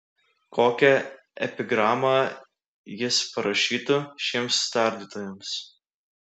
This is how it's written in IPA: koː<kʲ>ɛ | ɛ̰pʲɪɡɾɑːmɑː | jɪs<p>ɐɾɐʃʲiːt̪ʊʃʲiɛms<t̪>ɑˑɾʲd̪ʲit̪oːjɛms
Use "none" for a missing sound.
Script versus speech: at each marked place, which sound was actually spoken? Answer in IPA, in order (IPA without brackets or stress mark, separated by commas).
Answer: kʲ, p, t̪